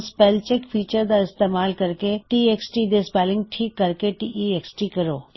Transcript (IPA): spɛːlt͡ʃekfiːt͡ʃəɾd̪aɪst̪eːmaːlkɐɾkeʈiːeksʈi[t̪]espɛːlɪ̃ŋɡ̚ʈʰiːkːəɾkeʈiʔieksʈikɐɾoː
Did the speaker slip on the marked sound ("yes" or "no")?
yes